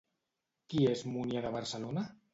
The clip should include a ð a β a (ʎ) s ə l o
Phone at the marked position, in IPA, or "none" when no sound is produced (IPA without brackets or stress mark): ɾ